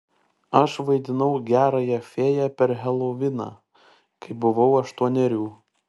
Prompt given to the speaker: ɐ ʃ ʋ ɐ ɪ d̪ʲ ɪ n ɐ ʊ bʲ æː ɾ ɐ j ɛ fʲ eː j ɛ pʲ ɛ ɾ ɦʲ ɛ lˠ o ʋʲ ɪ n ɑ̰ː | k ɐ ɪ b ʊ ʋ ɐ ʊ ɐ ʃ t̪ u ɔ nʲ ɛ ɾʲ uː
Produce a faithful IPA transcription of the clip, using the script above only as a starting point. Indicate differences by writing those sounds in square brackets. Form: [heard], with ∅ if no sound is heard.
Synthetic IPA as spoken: ɐ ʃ ʋ ɐ ɪ d̪ʲ ɪ n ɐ ʊ [ɡʲ] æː ɾ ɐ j ɛ fʲ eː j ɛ pʲ ɛ ɾ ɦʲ ɛ lˠ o ʋʲ ɪ n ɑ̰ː | k ɐ ɪ b ʊ ʋ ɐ ʊ ɐ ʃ t̪ u ɔ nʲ ɛ ɾʲ uː